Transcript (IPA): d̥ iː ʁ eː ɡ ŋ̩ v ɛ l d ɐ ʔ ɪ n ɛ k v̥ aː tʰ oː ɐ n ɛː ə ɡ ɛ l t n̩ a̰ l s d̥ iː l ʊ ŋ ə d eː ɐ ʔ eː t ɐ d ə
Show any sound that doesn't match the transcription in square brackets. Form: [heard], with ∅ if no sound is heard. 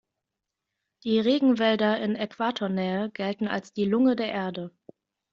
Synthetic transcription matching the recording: d̥ iː ʁ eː ɡ ŋ̩ v ɛ l d ɐ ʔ ɪ n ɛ k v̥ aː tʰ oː ɐ n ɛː ə ɡ ɛ l t n̩ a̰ l s d̥ iː l ʊ ŋ ə d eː ɐ ʔ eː [∅] ɐ d ə